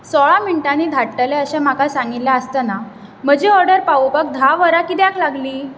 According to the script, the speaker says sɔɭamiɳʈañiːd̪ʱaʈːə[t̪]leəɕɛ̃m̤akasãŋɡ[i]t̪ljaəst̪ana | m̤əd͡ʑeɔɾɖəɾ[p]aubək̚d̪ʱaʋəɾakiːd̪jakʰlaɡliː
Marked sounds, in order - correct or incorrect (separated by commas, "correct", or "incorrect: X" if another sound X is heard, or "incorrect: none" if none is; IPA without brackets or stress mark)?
incorrect: none, correct, correct